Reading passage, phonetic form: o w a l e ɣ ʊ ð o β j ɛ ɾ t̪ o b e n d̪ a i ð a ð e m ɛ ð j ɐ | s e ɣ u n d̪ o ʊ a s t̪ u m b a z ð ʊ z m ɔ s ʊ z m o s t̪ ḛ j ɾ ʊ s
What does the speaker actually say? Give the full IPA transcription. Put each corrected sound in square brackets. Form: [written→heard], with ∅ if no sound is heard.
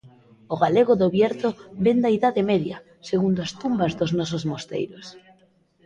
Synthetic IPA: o [w→ɣ] a l e ɣ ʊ ð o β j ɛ ɾ t̪ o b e n d̪ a i ð a ð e m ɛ ð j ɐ | s e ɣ u n d̪ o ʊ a s t̪ u m b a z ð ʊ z [m→n] ɔ s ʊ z m o s t̪ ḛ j ɾ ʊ s